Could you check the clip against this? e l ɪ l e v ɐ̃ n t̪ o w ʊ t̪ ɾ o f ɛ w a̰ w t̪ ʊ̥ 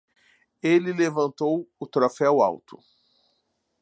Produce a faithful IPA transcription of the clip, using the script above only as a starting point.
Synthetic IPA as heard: e l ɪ l e v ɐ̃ n t̪ o w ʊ t̪ ɾ o f ɛ w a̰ w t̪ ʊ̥